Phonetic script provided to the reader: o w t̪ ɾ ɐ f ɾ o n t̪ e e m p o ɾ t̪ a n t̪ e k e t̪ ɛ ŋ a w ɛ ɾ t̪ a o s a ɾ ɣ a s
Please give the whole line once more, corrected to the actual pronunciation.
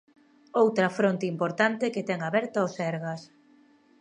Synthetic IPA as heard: o w t̪ ɾ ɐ f ɾ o n t̪ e i m p o ɾ t̪ a n t̪ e k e t̪ ɛ ŋ a β ɛ ɾ t̪ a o s ɛ ɾ ɣ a s